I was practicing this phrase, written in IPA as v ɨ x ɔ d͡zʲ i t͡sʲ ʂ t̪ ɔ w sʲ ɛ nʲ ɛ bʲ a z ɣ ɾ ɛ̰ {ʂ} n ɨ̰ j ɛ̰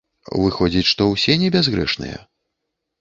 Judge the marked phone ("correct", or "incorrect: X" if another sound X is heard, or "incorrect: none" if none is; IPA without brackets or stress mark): correct